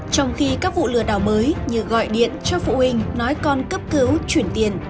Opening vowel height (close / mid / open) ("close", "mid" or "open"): mid